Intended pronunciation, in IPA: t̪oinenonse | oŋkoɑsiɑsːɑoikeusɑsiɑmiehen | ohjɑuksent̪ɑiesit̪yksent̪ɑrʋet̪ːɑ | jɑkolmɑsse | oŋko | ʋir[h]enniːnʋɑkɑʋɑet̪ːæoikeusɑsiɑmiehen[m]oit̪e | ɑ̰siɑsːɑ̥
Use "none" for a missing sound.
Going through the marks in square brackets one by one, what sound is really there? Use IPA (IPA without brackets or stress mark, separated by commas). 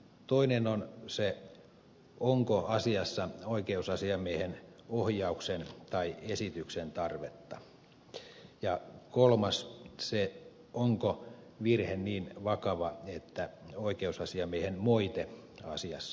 h, m